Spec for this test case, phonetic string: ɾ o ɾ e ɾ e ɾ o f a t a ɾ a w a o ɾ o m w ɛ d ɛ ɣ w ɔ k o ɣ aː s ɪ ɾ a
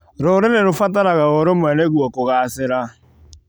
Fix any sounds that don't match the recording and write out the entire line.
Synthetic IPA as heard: ɾ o ɾ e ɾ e ɾ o f a t a ɾ a ɣ a o ɾ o m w ɛ n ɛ ɣ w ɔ k o ɣ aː s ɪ ɾ a